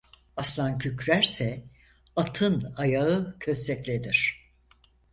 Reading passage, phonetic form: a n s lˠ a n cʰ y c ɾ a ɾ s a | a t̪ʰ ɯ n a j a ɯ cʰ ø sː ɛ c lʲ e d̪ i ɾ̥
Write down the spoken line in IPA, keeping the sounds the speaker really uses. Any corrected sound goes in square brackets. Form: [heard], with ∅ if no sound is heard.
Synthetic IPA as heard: a [∅] s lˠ a n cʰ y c ɾ [æ] ɾ s [ɛ] | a t̪ʰ ɯ n a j a ɯ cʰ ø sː ɛ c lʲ e d̪ i ɾ̥